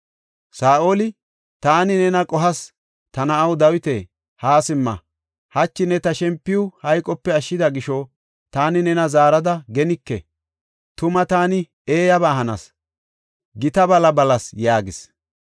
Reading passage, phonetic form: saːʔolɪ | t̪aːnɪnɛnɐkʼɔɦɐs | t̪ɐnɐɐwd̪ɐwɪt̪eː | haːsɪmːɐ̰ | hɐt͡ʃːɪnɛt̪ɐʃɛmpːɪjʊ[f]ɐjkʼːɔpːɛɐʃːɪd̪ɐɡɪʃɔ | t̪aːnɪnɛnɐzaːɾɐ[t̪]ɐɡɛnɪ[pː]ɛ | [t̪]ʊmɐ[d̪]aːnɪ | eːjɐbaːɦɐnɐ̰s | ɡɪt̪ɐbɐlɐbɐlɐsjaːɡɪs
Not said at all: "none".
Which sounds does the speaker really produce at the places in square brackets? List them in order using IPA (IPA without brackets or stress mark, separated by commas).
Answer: h, d̪, kː, t̪, t̪